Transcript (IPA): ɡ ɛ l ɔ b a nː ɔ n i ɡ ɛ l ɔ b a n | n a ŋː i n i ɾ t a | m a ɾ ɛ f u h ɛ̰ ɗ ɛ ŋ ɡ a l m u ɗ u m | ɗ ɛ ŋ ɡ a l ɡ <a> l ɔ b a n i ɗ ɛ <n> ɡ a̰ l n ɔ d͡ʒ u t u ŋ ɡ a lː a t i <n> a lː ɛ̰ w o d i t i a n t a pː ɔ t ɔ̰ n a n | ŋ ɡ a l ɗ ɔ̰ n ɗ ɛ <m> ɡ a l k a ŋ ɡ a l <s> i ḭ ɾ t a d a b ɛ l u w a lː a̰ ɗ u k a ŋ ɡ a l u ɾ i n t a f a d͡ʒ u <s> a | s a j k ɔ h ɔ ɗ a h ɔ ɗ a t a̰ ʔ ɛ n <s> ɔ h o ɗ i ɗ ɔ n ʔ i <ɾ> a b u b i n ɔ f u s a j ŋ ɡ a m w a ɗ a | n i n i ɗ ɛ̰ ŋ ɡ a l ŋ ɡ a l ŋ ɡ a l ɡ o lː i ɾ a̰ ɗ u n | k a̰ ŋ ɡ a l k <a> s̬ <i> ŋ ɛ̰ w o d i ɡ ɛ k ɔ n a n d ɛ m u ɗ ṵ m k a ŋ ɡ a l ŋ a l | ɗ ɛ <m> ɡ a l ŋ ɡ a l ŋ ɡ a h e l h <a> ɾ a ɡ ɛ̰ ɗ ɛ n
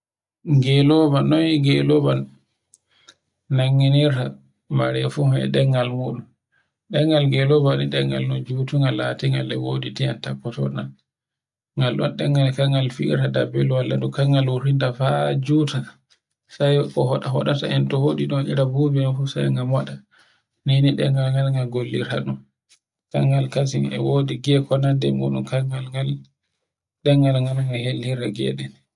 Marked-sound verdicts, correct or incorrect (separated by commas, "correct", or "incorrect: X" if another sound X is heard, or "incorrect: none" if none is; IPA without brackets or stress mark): incorrect: ɛ, incorrect: ŋ, incorrect: ŋ, incorrect: ŋ, incorrect: f, incorrect: t, incorrect: t, correct, correct, correct, incorrect: ŋ, incorrect: i